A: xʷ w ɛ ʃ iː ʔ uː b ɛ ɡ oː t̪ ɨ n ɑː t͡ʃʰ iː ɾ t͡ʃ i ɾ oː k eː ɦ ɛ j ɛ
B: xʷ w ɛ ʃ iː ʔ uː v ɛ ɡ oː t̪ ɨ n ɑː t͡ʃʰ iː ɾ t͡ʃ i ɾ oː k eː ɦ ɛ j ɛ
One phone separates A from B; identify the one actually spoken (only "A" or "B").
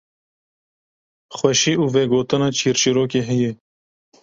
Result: B